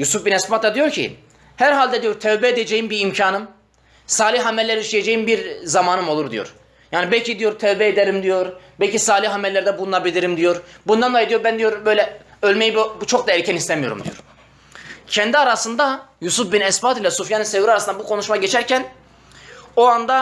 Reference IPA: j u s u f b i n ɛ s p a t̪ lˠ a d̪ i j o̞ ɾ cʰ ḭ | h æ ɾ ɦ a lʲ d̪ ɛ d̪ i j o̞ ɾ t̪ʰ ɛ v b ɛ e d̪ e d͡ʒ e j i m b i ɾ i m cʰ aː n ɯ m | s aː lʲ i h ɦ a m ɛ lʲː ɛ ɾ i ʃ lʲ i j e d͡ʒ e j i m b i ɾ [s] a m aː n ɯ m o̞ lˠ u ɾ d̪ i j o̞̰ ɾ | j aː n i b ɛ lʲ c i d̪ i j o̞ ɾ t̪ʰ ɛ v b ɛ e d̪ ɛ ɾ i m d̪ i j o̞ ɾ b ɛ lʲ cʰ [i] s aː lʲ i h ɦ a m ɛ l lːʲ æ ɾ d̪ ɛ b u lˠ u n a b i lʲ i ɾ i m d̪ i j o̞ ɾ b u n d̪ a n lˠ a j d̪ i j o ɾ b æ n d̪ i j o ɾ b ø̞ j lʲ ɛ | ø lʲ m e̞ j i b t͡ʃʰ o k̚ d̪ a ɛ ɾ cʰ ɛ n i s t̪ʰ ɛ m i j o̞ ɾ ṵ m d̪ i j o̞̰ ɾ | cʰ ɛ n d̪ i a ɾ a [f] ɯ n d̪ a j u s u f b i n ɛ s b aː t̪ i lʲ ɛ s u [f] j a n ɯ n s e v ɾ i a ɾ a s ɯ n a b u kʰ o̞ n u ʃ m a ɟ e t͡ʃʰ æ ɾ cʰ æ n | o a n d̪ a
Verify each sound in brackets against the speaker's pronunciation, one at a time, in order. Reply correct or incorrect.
incorrect, correct, incorrect, correct

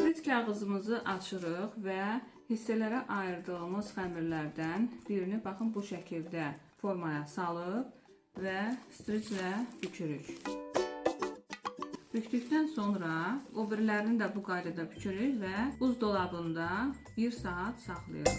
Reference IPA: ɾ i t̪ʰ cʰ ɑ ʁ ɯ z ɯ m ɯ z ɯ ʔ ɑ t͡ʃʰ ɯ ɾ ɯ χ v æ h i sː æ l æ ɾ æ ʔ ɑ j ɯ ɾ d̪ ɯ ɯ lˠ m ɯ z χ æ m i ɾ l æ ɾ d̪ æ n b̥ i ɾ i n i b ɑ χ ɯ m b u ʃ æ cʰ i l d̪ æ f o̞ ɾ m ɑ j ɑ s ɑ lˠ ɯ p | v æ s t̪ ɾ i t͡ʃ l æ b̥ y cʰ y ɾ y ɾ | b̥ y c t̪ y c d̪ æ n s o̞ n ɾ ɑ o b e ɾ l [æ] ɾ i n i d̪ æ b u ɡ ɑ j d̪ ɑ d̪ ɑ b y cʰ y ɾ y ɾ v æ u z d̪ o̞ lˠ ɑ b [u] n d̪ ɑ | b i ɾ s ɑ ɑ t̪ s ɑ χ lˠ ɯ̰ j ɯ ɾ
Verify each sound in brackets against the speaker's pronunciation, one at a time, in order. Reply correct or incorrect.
correct, incorrect

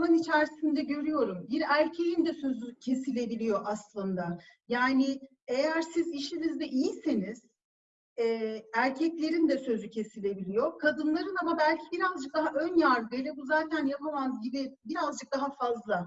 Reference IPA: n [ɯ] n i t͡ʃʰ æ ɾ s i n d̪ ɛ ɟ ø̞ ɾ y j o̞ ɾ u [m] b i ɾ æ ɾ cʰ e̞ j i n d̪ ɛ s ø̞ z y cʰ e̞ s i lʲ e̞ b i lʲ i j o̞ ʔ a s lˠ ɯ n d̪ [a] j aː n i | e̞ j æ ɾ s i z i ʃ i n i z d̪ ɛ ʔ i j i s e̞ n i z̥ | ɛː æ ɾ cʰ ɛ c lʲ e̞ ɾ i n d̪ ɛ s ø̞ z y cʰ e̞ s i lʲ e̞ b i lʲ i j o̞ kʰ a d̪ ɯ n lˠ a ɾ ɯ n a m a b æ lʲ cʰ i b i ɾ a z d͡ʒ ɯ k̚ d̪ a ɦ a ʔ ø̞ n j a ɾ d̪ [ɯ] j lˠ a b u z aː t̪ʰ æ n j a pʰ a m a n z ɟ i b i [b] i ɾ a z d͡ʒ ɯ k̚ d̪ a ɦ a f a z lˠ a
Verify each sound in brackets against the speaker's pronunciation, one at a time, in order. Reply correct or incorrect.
correct, correct, correct, correct, correct

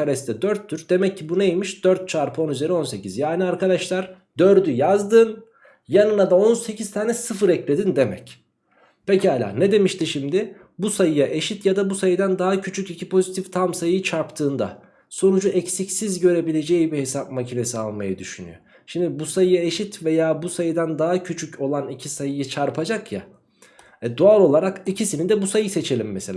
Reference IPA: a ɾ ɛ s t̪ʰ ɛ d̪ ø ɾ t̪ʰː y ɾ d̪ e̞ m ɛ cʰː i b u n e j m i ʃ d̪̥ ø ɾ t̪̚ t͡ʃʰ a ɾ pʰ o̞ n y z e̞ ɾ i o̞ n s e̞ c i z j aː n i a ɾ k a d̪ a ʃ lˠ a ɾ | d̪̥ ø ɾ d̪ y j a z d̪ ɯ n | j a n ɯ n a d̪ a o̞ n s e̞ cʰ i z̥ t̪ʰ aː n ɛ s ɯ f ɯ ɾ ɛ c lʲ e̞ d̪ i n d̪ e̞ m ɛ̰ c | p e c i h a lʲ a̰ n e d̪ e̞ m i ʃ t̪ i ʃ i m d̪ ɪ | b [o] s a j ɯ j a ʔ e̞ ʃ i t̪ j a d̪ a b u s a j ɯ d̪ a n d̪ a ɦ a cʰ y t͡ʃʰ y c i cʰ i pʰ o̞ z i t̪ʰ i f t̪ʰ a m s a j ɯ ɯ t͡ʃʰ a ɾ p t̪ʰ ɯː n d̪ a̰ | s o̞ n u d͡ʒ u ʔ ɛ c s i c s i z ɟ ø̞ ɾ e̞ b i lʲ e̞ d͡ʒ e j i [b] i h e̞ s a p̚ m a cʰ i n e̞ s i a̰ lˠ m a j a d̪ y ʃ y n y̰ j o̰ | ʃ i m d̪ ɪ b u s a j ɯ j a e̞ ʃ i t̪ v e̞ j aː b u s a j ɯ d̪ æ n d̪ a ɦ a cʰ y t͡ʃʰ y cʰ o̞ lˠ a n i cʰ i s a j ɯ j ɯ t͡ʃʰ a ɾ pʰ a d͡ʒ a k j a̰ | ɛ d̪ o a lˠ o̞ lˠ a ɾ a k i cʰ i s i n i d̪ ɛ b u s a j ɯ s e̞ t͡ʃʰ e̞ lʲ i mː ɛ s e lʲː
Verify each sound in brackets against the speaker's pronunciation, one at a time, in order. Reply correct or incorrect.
incorrect, correct

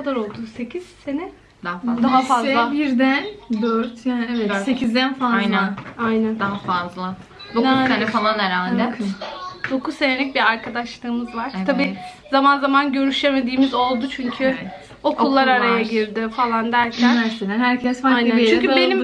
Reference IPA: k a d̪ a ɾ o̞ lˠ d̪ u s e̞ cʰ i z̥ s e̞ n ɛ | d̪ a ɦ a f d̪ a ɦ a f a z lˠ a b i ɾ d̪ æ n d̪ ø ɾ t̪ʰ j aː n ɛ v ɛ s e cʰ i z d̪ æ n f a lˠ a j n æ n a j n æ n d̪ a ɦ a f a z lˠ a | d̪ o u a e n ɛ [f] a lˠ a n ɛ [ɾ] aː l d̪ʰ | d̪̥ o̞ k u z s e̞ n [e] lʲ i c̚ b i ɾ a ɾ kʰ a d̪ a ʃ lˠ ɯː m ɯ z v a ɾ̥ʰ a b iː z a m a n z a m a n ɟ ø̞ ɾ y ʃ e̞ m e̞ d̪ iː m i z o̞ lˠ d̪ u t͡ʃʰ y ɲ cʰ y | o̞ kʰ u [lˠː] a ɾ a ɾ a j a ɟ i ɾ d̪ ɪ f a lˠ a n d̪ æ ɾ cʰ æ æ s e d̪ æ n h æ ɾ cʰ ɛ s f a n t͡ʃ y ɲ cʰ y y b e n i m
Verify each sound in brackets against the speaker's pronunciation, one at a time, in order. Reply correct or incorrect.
correct, correct, correct, correct

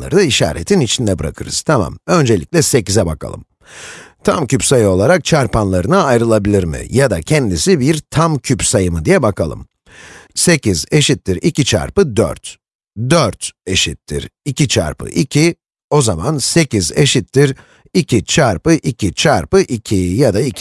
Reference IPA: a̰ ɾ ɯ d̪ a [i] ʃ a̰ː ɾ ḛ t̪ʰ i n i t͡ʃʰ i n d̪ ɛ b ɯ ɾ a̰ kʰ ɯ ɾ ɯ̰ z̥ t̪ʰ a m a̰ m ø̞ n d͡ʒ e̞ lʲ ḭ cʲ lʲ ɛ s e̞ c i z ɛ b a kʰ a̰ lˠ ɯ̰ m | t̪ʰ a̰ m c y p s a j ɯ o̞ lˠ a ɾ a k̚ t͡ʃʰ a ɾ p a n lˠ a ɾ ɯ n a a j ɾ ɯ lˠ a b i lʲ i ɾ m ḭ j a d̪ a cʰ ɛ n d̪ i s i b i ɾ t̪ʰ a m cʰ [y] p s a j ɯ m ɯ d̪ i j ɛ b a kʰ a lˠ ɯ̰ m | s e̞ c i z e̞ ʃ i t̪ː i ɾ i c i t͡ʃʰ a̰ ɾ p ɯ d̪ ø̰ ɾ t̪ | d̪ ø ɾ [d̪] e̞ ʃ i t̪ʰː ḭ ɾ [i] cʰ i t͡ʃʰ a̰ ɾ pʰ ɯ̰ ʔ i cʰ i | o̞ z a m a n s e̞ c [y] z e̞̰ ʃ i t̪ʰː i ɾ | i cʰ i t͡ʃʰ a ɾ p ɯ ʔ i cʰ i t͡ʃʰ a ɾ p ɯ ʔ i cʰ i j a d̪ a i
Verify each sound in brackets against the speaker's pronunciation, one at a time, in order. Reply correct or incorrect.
correct, correct, incorrect, correct, incorrect

